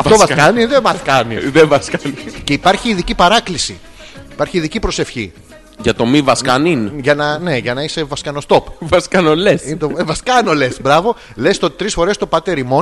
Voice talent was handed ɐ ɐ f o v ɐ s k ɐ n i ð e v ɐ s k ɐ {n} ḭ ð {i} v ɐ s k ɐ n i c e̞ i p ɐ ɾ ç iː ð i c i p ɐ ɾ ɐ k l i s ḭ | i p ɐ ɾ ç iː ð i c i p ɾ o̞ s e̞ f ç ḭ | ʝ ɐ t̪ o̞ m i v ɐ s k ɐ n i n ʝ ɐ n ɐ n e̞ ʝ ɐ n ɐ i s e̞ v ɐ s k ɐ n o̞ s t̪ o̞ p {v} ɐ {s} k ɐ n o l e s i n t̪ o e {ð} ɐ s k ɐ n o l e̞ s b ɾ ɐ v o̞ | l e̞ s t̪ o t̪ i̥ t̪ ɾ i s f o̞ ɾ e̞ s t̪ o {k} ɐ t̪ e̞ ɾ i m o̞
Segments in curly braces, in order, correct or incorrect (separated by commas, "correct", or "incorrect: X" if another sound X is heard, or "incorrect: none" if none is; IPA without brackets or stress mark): correct, incorrect: e, correct, correct, incorrect: v, incorrect: p